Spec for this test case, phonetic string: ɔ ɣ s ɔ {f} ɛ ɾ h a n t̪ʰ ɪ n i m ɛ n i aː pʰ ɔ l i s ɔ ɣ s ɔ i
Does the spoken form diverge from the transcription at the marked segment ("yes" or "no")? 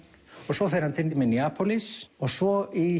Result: no